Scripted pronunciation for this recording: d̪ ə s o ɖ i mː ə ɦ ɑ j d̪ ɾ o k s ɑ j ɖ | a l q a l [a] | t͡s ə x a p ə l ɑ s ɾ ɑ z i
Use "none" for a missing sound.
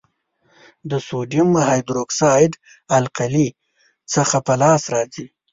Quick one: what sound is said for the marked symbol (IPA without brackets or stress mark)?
i